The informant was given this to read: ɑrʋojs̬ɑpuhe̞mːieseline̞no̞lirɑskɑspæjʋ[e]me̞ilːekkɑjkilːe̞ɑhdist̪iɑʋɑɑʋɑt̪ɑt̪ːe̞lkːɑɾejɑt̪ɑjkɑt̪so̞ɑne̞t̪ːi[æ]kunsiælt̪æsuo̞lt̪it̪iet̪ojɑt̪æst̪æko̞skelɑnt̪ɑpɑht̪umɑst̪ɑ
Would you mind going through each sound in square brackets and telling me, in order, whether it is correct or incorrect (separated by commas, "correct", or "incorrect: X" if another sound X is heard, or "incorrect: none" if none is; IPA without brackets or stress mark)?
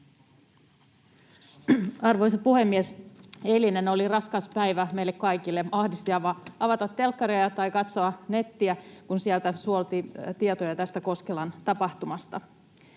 incorrect: æ, correct